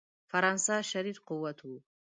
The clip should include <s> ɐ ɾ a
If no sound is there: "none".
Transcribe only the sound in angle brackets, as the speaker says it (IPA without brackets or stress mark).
f